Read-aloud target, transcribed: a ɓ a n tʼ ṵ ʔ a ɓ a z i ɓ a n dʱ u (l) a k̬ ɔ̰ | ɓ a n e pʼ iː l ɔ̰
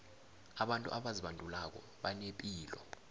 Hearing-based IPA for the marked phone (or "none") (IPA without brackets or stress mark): l